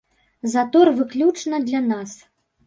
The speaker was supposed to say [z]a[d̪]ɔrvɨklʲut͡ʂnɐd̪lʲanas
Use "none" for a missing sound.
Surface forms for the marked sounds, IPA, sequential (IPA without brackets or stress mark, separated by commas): z, t̪